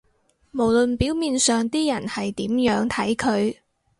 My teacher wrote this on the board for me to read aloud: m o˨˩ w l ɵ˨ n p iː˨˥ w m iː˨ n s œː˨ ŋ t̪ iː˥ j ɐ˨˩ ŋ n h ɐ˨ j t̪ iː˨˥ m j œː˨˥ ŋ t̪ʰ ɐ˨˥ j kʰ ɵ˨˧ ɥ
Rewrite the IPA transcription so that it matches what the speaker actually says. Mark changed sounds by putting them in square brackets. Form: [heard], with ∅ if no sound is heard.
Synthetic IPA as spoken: m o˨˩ w l ɵ˨ n p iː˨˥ w m iː˨ n s œː˨ ŋ t̪ iː˥ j ɐ˨˩ [∅] n h ɐ˨ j t̪ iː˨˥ m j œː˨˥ ŋ t̪ʰ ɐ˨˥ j kʰ ɵ˨˧ ɥ